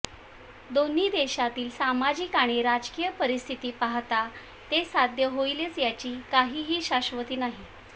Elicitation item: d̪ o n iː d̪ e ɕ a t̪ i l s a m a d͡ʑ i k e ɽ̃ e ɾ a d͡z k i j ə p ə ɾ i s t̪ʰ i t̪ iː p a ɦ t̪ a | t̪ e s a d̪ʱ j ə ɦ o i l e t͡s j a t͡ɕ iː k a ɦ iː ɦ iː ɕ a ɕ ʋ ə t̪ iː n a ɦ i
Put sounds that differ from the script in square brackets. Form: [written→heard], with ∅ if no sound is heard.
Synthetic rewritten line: d̪ o n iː d̪ e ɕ a t̪ [i→iː] l s a m a d͡ʑ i k [e→a] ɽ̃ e ɾ a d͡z k i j ə p ə ɾ i s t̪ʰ i t̪ iː p a ɦ t̪ a | t̪ e s a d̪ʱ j ə ɦ o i l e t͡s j a t͡ɕ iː k a ɦ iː ɦ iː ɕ a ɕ ʋ ə t̪ iː n a ɦ i